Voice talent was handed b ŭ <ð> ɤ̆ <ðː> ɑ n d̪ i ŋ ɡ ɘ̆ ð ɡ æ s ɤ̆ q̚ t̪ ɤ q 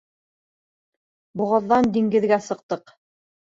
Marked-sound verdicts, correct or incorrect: incorrect: ʁ, correct

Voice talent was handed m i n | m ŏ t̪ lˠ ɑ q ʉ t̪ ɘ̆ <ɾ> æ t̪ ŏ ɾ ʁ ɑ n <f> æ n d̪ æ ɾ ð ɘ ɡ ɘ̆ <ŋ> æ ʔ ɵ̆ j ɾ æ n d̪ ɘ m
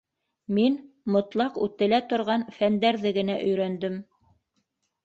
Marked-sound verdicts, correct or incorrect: incorrect: l, correct, incorrect: n

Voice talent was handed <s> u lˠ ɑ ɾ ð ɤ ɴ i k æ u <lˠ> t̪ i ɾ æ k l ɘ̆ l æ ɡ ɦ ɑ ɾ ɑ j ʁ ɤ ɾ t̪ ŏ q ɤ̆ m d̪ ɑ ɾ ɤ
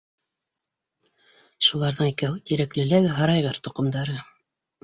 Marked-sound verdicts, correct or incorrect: incorrect: ʃ, incorrect: none

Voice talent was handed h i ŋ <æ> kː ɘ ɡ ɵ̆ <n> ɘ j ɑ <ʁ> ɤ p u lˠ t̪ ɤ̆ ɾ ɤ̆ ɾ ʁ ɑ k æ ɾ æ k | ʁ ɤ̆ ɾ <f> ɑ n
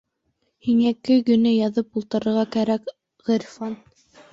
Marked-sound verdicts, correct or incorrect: correct, correct, incorrect: ð, correct

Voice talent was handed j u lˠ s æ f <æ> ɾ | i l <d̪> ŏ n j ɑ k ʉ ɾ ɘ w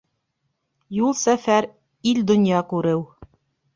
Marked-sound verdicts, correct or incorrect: correct, correct

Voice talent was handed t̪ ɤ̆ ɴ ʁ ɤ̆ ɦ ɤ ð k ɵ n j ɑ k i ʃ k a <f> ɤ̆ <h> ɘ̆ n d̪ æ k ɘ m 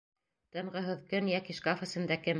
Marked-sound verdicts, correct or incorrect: correct, incorrect: s

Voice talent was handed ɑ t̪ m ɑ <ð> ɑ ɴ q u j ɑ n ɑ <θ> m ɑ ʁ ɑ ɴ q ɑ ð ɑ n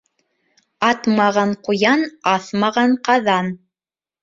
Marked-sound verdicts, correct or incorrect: incorrect: ʁ, correct

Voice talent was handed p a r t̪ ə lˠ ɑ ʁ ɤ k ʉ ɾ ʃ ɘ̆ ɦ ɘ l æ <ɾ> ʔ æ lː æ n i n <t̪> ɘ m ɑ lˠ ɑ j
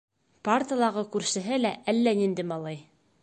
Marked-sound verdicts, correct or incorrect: incorrect: none, incorrect: d̪

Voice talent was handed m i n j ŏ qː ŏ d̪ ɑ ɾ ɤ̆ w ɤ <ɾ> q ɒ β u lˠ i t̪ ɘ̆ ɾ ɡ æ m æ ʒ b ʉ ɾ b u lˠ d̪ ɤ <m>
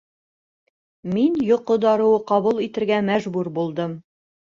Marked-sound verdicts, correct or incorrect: incorrect: none, correct

